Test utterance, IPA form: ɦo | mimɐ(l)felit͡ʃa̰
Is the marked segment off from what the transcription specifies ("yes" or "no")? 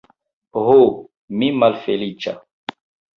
no